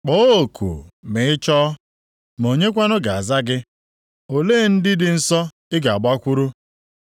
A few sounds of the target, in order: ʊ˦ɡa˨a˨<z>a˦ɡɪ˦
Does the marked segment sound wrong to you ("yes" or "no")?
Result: no